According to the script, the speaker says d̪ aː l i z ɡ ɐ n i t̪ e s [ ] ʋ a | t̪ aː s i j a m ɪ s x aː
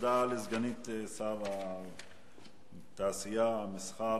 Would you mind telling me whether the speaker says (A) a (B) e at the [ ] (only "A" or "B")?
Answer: A